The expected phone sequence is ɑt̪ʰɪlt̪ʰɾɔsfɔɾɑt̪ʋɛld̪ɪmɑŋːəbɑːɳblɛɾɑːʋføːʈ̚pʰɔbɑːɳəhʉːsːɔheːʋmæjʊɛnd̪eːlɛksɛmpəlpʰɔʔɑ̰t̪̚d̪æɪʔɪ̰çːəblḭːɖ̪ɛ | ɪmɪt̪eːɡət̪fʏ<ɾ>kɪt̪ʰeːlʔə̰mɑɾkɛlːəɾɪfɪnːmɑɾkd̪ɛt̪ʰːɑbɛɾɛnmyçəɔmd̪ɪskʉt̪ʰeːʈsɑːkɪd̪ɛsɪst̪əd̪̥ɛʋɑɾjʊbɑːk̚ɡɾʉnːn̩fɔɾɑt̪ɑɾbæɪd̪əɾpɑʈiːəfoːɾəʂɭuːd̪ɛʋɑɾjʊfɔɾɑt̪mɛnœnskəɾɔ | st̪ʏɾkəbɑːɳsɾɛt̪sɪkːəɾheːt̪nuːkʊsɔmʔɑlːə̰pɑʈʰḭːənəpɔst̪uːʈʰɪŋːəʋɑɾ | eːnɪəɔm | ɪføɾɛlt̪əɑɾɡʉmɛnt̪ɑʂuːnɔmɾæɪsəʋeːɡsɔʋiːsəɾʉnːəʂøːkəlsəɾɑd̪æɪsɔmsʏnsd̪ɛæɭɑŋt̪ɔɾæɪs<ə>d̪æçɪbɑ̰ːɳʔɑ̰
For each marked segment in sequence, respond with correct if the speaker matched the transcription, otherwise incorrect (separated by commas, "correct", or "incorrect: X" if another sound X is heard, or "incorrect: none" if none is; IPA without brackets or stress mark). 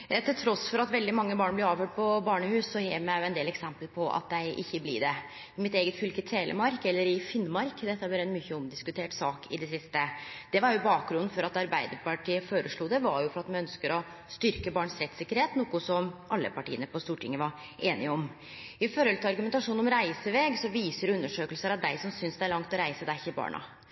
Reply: incorrect: l, correct